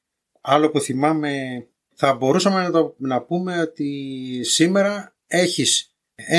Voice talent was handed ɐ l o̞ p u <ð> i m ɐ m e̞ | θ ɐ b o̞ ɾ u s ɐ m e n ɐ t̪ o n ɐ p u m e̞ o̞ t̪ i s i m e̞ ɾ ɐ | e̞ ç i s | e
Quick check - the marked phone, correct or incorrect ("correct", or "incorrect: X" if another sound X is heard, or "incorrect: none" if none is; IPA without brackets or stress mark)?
incorrect: θ